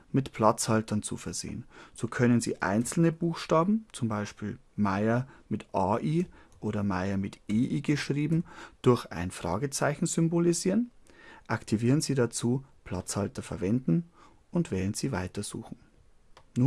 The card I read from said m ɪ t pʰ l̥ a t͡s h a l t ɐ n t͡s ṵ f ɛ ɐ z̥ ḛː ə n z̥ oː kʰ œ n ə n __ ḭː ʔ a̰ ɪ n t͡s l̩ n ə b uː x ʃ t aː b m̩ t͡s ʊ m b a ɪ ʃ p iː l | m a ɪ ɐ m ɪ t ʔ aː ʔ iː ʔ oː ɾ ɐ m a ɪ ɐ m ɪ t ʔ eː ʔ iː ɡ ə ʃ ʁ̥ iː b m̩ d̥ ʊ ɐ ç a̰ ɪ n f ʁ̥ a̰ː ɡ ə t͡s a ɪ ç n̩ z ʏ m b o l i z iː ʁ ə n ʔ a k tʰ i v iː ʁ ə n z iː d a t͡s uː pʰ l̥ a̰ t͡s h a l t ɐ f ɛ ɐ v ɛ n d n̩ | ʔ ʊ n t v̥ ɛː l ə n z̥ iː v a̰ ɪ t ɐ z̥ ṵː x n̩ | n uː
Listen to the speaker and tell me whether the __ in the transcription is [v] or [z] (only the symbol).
z